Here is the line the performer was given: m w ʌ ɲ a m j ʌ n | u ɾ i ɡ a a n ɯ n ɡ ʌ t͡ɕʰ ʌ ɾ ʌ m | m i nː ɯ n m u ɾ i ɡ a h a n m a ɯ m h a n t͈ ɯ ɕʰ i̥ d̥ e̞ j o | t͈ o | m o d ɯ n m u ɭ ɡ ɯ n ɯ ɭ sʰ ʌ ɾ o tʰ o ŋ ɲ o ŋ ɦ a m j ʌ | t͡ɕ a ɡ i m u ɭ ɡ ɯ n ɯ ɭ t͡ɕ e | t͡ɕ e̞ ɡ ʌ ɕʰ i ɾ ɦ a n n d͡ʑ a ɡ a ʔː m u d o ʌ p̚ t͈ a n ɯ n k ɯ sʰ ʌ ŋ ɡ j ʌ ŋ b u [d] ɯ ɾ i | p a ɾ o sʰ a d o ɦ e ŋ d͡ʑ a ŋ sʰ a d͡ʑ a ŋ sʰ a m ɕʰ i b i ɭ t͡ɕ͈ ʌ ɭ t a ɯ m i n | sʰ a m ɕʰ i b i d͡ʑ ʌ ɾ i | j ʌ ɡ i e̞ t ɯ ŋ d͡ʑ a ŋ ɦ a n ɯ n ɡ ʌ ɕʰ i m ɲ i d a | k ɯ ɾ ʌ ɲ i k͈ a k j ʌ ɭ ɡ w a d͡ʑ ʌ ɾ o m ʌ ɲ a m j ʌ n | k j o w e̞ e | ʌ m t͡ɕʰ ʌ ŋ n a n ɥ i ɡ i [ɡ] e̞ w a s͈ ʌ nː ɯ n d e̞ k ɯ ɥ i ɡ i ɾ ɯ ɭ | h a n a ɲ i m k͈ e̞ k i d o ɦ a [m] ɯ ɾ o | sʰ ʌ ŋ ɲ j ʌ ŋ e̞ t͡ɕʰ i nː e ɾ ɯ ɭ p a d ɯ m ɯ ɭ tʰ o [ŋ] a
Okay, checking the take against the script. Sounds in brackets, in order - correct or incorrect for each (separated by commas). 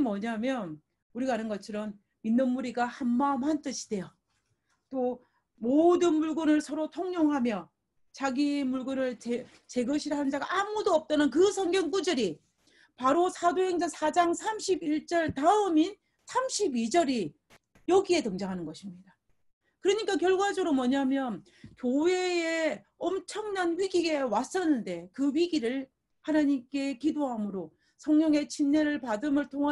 incorrect, correct, correct, correct